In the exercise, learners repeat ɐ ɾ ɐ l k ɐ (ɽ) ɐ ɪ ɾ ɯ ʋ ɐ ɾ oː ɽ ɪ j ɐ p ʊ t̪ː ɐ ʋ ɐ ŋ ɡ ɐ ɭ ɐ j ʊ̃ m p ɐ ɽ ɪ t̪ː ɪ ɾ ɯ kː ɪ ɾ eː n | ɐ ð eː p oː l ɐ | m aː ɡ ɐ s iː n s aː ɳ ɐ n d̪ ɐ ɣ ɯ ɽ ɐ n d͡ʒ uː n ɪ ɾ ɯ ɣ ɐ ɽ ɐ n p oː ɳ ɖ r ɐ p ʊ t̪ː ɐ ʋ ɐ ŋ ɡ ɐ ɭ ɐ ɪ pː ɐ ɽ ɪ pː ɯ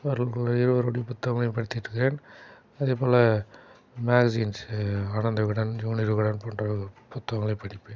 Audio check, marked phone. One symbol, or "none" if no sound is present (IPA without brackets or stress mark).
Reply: ɭ